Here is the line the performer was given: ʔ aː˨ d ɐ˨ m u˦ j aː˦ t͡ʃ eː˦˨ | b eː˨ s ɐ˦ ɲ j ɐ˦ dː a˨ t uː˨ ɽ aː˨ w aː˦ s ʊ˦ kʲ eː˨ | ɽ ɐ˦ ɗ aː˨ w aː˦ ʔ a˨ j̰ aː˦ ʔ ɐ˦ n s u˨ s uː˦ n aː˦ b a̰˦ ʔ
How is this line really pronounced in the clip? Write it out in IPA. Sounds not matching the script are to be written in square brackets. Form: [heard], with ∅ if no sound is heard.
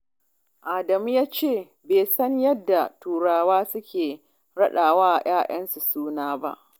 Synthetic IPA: ʔ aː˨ d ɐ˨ m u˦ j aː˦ t͡ʃ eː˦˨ | b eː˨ s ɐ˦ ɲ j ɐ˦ dː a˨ t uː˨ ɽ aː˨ w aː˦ s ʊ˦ kʲ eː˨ | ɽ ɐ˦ ɗ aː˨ w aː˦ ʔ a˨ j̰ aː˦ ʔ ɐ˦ n s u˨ s uː˦ n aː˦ b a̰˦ ʔ